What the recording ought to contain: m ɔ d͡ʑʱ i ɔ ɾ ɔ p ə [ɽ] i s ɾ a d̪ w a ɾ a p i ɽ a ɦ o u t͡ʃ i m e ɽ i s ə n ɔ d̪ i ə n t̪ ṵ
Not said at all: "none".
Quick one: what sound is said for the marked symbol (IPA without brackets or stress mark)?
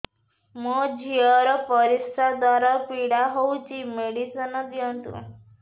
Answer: ɾ